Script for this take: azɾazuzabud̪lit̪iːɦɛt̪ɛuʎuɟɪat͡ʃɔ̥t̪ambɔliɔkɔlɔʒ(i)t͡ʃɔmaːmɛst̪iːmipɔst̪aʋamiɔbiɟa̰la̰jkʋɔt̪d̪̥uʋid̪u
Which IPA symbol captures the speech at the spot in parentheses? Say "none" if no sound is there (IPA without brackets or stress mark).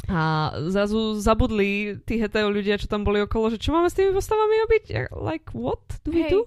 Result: ɛ